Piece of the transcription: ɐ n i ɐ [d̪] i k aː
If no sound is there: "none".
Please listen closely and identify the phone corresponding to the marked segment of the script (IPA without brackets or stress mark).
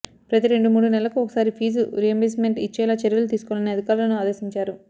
d̪